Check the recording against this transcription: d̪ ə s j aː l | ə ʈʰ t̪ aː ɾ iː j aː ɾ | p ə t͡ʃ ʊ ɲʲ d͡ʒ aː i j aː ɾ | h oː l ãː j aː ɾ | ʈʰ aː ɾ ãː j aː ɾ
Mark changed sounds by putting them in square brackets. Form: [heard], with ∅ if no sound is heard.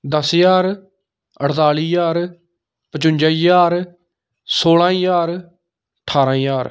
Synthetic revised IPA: d̪ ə s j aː [ɾ] | ə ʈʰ t̪ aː [l] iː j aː ɾ | p ə t͡ʃ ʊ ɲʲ d͡ʒ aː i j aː ɾ | [s] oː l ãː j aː ɾ | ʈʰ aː ɾ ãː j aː ɾ